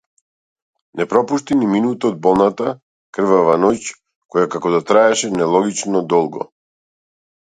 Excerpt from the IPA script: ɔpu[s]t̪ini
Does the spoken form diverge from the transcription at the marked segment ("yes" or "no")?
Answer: yes